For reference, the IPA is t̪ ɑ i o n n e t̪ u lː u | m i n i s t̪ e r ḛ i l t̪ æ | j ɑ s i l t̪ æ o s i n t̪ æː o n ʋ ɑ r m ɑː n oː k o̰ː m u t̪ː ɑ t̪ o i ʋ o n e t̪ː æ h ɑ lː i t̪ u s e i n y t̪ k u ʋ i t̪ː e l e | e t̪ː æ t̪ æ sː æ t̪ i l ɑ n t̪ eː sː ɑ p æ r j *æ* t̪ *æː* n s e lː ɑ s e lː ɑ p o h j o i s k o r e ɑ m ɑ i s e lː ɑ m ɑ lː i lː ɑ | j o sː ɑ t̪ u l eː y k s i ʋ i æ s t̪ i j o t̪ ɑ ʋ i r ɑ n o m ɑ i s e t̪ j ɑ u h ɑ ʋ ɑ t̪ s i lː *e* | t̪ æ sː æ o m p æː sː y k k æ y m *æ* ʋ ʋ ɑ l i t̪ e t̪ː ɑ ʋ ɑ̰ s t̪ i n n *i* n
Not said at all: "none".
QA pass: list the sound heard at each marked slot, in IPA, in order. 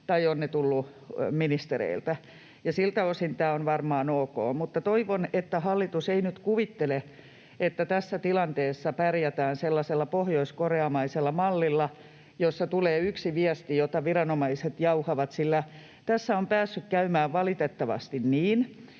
æ, æː, æ, æː, iː

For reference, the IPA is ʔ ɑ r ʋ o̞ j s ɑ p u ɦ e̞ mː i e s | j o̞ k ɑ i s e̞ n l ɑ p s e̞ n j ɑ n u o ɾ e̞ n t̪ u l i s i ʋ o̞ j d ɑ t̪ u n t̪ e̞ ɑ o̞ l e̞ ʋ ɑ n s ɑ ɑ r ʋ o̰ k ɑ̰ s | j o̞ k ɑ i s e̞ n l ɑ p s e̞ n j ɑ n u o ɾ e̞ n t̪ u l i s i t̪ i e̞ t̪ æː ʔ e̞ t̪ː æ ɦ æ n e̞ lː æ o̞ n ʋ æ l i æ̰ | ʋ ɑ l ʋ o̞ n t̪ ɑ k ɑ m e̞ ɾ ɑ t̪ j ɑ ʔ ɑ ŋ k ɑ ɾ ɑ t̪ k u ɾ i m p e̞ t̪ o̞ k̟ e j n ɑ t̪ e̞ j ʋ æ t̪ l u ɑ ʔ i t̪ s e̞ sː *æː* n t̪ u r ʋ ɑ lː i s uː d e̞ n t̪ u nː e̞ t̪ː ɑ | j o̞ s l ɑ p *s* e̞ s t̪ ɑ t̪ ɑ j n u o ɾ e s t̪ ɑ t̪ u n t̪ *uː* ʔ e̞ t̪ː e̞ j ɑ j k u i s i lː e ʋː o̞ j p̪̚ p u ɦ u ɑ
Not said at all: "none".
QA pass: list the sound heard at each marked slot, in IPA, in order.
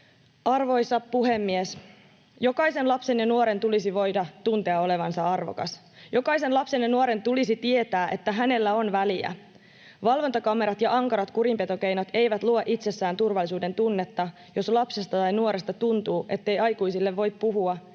æː, s, uː

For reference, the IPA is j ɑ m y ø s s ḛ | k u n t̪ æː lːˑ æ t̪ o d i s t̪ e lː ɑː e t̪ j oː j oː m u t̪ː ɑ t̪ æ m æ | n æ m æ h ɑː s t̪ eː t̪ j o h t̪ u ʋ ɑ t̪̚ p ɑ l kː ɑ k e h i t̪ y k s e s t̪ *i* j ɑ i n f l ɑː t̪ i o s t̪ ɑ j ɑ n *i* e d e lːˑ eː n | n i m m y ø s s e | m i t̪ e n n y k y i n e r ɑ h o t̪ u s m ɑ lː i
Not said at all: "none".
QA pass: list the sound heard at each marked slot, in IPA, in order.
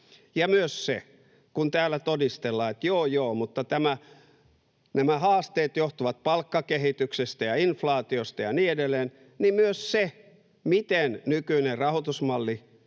æ, iː

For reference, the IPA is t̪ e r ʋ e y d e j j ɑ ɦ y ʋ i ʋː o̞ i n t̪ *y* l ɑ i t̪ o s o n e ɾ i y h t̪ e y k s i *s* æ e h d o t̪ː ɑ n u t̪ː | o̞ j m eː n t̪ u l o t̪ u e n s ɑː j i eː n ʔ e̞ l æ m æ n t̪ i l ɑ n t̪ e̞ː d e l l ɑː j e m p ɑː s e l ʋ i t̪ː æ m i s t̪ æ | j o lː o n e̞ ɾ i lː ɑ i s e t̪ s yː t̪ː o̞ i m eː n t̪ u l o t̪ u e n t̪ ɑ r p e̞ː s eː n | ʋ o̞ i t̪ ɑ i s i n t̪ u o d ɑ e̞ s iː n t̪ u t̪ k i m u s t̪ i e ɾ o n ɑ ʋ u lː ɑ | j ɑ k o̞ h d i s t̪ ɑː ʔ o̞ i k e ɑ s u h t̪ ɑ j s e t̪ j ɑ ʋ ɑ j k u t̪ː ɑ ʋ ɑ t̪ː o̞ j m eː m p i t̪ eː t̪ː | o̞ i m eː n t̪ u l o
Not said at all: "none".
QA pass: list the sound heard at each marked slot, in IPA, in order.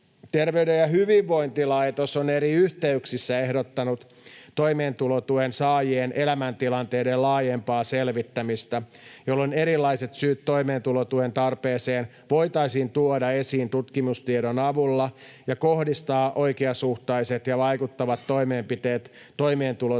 i, sː

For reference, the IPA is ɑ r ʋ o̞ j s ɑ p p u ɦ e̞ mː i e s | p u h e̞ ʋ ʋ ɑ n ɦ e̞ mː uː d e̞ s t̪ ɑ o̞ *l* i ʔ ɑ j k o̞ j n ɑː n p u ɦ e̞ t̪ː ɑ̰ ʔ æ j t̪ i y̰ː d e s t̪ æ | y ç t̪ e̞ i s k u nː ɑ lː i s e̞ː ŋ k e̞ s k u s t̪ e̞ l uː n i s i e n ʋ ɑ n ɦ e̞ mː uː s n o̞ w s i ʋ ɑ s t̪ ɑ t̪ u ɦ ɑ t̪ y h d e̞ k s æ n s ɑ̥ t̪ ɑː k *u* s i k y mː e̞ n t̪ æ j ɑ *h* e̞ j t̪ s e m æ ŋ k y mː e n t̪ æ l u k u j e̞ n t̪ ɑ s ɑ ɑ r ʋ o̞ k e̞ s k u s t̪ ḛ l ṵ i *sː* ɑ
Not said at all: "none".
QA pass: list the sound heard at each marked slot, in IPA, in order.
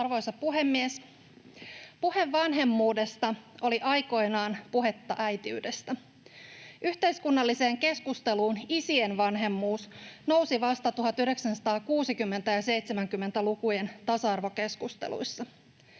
l, uː, s, sː

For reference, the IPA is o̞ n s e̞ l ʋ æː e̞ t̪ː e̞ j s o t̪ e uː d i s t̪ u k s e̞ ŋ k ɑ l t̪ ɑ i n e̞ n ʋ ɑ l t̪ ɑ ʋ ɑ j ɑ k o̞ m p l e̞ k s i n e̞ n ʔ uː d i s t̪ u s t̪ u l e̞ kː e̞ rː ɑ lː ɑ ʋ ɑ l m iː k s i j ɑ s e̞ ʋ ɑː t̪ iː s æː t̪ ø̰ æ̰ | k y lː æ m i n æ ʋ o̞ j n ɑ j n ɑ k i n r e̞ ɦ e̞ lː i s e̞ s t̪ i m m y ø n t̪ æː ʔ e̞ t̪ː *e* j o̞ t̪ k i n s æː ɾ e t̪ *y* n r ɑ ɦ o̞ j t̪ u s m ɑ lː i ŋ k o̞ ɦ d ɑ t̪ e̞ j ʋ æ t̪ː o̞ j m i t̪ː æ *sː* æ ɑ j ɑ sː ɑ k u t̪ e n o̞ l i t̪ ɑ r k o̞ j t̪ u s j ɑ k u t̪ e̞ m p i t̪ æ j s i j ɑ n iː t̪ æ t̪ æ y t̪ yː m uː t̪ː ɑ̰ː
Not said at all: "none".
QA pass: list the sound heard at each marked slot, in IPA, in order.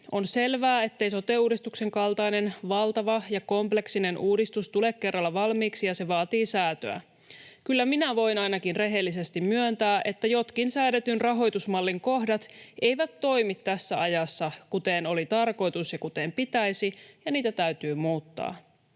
æ, y, sː

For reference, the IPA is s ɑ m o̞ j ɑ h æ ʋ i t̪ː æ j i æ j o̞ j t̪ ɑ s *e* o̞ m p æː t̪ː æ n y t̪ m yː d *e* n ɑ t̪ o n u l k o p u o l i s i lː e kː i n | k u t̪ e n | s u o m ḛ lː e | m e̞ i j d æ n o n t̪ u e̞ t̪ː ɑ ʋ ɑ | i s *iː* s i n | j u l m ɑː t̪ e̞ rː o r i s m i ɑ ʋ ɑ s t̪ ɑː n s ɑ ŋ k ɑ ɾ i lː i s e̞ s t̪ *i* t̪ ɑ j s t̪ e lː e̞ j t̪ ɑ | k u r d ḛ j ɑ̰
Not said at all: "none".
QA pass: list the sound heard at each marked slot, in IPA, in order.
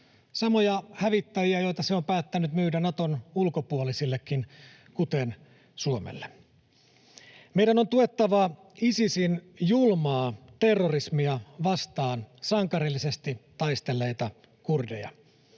e, æ, i, i

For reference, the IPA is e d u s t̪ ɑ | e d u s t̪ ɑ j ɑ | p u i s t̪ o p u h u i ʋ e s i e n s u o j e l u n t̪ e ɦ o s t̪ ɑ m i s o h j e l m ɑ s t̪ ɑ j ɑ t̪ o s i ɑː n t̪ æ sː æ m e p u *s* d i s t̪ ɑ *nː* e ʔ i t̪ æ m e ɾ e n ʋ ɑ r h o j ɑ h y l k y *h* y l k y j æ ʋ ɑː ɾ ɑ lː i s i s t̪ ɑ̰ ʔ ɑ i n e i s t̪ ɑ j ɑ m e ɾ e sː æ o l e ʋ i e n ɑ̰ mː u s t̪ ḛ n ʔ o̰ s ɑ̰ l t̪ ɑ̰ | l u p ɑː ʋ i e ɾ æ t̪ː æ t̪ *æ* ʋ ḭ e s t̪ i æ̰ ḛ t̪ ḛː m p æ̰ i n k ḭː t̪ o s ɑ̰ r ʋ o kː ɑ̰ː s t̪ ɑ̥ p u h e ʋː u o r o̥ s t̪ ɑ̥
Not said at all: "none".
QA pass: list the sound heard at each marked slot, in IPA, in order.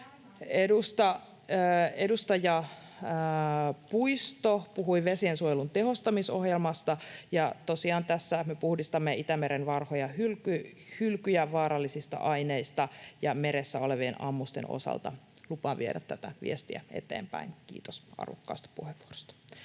h, mː, h, æ

